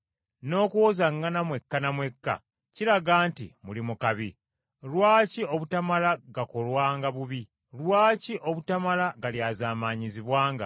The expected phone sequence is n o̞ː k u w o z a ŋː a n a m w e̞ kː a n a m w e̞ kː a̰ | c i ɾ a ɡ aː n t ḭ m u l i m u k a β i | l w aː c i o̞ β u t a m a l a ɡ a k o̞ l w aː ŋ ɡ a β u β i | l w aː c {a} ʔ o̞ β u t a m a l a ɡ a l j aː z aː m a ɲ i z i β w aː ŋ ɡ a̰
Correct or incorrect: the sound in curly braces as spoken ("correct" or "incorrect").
incorrect